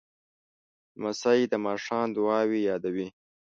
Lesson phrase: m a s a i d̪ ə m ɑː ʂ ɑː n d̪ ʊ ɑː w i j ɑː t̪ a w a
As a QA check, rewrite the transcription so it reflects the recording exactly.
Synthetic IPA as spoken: m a s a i d̪ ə m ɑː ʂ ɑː n d̪ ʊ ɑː w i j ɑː d̪ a w i